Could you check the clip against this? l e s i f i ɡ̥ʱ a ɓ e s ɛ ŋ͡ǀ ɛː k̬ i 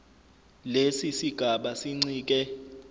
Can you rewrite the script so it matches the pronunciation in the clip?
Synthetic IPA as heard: l e s i s i ɡ̥ʱ a ɓ a s i ŋ͡ǀ iː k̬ ɛ